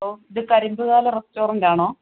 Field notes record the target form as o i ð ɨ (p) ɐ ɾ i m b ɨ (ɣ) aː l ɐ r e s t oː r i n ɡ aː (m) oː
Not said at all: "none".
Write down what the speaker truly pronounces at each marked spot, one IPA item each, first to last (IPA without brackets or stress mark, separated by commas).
k, ɣ, ɳ